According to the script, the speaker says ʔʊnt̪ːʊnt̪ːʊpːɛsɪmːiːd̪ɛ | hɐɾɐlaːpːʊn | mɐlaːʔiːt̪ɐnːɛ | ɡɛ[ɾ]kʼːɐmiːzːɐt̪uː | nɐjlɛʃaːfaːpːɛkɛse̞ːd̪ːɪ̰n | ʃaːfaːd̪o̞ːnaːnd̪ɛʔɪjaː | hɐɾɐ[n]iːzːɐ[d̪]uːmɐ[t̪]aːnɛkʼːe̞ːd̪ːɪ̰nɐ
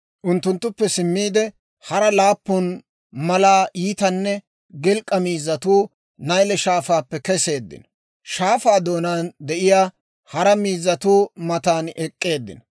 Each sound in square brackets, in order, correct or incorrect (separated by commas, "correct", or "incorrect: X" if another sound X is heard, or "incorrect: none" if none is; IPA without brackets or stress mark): incorrect: l, incorrect: m, incorrect: t̪, correct